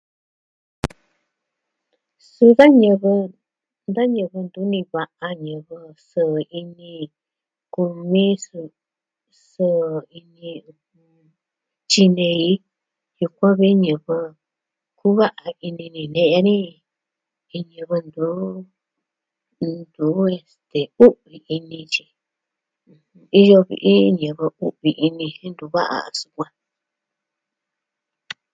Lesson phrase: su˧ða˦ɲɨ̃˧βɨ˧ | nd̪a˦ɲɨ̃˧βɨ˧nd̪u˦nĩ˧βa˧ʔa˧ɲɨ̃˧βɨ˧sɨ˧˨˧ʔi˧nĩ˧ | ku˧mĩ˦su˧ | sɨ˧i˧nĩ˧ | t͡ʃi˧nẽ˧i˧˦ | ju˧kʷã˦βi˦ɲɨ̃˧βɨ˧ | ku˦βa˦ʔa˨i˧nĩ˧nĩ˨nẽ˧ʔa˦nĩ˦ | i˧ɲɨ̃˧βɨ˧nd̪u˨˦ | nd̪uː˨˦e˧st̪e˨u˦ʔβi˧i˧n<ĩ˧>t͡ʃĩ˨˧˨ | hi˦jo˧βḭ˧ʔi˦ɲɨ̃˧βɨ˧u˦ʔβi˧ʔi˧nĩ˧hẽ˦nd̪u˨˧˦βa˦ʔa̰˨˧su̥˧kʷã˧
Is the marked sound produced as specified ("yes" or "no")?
yes